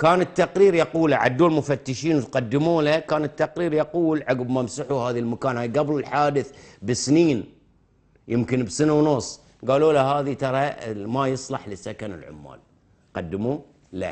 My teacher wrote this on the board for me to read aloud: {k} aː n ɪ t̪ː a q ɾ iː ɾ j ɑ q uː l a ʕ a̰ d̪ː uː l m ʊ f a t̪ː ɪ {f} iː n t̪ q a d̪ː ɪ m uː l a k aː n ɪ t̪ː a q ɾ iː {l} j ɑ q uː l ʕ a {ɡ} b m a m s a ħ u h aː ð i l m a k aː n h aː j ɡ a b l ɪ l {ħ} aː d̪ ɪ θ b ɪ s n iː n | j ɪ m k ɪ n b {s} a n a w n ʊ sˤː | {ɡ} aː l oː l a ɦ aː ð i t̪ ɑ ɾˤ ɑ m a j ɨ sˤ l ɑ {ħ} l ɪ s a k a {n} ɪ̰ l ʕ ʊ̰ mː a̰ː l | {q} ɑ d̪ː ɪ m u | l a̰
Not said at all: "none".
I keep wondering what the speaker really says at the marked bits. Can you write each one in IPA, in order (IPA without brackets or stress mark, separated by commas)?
k, ʃ, ɾ, ɡ, ħ, s, ɡ, ħ, n, q